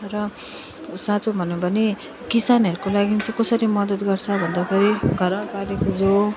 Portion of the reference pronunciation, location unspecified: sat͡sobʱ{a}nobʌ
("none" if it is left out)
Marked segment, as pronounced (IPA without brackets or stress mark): ʌ